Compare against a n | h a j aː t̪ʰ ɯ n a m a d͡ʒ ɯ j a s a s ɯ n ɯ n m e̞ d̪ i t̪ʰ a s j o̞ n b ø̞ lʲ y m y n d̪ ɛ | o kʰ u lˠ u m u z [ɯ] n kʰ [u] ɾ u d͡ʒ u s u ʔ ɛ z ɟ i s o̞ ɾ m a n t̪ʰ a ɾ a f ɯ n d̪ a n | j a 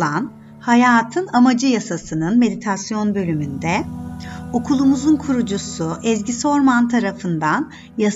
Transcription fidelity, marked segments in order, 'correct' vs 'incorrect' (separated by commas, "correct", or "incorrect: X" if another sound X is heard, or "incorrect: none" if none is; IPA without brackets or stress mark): incorrect: u, correct